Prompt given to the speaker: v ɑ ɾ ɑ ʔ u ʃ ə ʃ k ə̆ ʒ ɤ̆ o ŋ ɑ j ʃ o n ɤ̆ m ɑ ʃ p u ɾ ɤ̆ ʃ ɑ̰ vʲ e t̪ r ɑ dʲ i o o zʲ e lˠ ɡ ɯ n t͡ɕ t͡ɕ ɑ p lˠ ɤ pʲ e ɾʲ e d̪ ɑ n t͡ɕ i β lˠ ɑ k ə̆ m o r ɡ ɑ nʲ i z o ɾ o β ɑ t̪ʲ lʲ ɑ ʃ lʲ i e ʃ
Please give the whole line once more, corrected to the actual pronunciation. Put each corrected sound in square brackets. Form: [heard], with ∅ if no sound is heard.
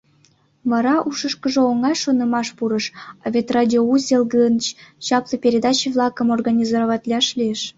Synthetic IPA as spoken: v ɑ ɾ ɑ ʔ u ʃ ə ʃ k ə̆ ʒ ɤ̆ o ŋ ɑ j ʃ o n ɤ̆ m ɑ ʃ p u ɾ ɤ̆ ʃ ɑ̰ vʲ e t̪ r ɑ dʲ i o [u] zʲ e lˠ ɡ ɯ n t͡ɕ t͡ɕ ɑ p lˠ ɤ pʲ e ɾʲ e d̪ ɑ [∅] t͡ɕ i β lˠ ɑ k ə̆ m o r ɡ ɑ nʲ i z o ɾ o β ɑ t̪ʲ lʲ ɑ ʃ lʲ i e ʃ